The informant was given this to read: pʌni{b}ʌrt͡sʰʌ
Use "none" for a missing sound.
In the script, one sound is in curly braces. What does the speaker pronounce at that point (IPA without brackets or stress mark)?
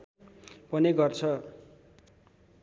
ɡ